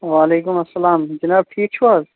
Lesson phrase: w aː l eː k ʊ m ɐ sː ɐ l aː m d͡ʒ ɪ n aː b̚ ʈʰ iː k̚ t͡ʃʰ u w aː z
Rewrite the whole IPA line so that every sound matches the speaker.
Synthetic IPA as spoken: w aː l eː k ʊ m ɐ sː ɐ l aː m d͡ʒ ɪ n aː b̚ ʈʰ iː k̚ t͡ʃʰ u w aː z